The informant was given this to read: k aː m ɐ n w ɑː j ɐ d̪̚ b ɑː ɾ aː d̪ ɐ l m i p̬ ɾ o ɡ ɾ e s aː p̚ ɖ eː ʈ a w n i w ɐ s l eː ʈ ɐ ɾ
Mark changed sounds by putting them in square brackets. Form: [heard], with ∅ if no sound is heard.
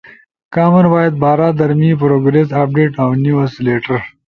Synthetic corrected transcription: k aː m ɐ n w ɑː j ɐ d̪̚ b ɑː ɾ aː d̪ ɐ [ɾ] m i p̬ ɾ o ɡ ɾ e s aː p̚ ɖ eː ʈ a w n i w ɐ s l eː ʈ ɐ ɾ